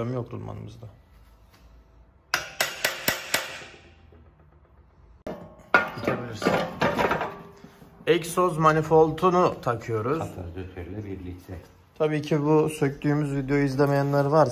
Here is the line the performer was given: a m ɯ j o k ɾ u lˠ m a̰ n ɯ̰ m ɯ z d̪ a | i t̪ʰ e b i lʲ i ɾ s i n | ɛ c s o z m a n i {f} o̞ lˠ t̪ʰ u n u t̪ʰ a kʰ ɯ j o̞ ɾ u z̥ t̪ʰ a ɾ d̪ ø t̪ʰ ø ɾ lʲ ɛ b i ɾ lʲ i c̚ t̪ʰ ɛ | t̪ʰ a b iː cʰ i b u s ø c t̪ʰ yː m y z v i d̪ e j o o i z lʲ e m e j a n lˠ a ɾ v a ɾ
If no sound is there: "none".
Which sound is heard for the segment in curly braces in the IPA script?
f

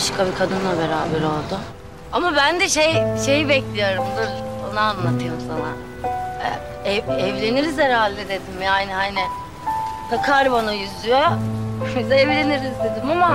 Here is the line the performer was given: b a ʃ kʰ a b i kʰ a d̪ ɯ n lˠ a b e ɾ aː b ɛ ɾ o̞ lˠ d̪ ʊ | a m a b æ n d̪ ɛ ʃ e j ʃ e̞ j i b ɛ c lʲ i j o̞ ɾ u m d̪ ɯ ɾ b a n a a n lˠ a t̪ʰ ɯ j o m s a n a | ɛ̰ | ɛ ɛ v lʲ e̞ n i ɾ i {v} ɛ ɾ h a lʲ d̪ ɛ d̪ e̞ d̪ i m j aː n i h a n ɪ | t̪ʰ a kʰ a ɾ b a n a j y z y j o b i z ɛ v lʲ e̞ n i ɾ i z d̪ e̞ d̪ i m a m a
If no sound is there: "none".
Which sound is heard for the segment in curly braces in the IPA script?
z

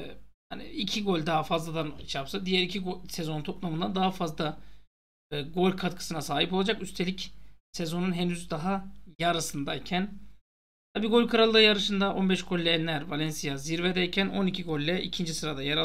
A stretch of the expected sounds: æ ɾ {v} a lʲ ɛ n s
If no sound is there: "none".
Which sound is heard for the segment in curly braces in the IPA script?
v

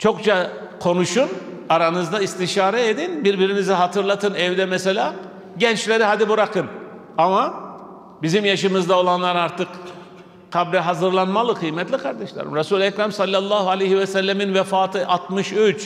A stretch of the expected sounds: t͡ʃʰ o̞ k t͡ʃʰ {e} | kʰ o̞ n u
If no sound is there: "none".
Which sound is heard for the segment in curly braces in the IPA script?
a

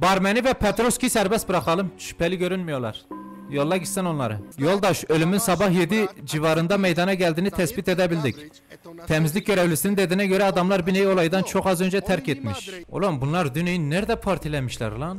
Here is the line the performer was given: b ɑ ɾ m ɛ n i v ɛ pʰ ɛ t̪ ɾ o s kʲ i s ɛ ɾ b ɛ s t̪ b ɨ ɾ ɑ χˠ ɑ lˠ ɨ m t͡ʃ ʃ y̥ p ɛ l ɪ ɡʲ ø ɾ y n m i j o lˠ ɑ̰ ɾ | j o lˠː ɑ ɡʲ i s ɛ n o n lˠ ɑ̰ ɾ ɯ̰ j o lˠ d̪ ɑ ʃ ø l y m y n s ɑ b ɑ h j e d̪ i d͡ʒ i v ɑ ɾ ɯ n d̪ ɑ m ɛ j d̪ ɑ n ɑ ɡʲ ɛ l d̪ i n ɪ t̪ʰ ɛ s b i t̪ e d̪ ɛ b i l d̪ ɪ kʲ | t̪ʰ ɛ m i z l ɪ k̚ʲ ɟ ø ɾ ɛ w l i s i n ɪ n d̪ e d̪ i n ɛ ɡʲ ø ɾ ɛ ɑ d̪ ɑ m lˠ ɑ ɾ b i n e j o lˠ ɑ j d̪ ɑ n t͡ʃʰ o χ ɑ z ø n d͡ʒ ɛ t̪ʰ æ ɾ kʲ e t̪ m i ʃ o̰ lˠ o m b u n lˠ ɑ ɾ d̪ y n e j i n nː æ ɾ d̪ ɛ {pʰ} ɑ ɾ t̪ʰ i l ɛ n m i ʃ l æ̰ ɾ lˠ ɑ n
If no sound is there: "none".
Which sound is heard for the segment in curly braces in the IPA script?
pʰ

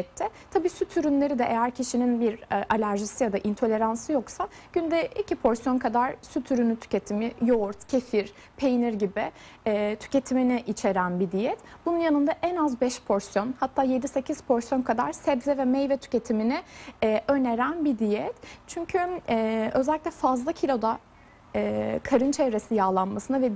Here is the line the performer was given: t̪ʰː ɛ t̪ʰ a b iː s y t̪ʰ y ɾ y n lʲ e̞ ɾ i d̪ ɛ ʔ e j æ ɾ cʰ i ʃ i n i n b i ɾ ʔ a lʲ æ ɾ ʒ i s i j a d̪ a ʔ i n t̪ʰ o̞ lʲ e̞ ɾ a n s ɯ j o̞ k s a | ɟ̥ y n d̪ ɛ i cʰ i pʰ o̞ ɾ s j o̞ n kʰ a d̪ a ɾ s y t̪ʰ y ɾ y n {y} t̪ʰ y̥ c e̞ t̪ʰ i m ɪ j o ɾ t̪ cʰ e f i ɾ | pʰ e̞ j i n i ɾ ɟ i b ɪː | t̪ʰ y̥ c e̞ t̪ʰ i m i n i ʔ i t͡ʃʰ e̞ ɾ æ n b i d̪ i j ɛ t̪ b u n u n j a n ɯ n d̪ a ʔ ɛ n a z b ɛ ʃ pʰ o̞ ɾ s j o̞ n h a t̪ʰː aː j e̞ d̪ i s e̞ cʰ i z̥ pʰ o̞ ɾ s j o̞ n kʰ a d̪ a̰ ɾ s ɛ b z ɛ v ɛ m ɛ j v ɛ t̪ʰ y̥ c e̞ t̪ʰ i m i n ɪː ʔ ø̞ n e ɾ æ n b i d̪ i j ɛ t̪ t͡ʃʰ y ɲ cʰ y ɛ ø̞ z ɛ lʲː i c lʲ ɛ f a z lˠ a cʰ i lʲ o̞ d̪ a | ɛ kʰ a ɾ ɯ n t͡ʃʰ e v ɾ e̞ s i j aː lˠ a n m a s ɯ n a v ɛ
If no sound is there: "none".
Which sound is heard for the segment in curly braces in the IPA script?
y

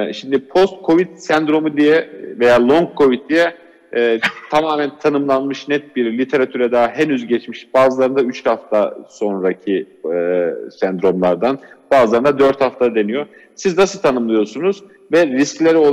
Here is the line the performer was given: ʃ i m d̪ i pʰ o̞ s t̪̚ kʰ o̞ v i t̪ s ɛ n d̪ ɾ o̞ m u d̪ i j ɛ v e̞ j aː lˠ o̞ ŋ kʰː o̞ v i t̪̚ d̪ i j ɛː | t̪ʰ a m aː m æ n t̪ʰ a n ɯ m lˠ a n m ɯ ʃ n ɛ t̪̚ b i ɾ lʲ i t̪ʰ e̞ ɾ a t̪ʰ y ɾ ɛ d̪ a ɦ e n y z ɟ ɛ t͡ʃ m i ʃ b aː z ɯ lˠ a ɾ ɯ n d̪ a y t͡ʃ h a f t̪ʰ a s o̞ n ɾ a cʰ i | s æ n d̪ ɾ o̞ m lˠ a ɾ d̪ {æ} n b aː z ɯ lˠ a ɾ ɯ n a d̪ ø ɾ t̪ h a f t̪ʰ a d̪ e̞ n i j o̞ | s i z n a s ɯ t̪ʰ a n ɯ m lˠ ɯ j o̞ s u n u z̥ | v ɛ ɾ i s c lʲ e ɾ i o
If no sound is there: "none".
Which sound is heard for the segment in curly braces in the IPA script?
a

